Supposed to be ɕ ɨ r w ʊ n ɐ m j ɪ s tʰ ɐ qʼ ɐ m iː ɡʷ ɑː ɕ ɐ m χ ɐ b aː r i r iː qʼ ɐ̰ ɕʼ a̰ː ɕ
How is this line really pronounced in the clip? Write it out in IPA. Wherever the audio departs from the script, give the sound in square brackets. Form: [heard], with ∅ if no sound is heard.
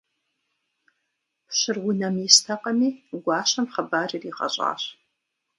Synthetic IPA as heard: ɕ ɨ r w ʊ n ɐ m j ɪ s tʰ ɐ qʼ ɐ m iː ɡʷ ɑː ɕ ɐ m χ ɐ b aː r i r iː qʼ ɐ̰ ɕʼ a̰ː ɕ